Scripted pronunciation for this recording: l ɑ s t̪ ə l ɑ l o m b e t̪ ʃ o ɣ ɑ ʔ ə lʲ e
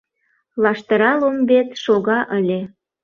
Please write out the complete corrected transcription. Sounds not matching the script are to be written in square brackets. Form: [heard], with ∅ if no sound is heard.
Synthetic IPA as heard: l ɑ [ʃ] t̪ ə [ɾ] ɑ l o m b e t̪ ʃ o ɣ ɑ ʔ ə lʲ e